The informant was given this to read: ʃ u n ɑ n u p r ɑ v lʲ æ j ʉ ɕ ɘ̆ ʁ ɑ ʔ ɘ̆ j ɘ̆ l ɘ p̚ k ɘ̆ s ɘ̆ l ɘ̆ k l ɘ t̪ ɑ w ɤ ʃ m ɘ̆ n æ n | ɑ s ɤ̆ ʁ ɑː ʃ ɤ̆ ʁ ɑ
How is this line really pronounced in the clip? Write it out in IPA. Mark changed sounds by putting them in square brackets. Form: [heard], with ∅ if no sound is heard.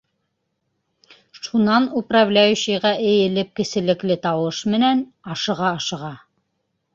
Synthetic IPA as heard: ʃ u n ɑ n u p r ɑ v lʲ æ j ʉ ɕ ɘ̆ ʁ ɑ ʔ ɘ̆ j ɘ̆ l ɘ p̚ k ɘ̆ s ɘ̆ l ɘ̆ k l ɘ t̪ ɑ w ɤ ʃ m ɘ̆ n æ n | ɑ [ʃ] ɤ̆ ʁ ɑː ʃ ɤ̆ ʁ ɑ